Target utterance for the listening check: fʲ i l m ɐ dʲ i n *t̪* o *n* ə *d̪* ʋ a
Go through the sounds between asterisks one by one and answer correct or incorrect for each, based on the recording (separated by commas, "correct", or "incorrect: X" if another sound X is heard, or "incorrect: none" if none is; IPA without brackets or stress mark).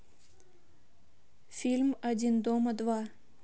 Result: incorrect: d̪, incorrect: m, correct